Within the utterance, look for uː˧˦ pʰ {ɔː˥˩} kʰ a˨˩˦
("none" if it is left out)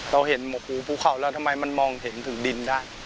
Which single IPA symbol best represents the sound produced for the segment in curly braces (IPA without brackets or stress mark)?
uː˥˩